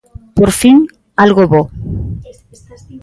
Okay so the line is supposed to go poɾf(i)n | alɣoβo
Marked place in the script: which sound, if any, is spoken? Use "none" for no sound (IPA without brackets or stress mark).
i